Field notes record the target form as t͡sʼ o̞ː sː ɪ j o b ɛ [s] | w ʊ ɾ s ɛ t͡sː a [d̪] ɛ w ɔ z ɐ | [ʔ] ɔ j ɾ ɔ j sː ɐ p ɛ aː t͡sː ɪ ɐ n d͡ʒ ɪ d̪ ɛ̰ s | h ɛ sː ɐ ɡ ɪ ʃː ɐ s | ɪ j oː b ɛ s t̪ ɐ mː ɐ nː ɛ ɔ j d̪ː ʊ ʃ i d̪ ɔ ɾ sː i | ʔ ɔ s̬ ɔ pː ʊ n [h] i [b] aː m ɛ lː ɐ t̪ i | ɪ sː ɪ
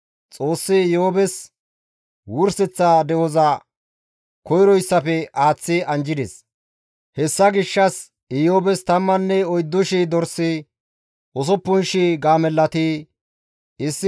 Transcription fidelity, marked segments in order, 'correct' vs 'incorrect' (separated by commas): correct, correct, incorrect, incorrect, incorrect